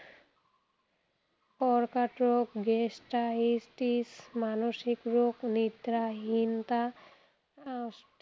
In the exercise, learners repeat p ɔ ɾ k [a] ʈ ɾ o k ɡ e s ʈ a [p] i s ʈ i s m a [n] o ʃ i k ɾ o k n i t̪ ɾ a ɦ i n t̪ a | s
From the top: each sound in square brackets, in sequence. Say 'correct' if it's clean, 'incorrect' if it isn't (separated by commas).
correct, incorrect, correct